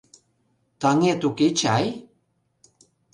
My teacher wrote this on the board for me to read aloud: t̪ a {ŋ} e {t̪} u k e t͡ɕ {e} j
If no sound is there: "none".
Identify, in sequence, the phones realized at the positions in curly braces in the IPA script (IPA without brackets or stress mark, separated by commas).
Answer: ŋ, t̪, a